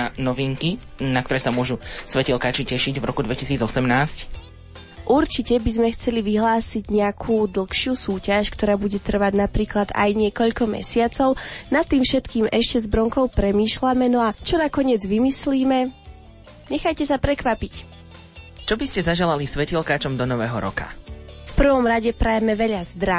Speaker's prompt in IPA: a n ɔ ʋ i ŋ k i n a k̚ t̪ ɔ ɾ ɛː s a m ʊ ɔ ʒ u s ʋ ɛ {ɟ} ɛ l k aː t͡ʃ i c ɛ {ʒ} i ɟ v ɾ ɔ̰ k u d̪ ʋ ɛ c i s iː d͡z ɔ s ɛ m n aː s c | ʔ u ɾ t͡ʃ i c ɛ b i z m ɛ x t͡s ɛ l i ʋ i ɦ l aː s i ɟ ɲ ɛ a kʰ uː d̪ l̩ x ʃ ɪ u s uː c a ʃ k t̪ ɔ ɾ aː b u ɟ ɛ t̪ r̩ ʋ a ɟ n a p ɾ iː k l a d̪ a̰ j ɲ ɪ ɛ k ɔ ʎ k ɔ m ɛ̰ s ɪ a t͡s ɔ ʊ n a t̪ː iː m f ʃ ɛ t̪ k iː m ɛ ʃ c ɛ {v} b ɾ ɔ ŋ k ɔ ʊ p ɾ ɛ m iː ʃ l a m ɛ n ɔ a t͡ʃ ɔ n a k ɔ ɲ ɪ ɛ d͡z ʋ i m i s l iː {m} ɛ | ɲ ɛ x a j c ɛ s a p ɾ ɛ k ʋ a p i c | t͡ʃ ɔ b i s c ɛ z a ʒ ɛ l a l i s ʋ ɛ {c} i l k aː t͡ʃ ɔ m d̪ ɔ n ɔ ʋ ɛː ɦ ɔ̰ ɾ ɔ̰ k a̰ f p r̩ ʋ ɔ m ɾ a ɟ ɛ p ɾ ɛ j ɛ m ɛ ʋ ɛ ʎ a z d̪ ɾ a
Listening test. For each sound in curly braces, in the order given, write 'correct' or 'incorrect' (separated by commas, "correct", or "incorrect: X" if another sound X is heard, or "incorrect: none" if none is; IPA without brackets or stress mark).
incorrect: c, incorrect: ʃ, incorrect: z, correct, correct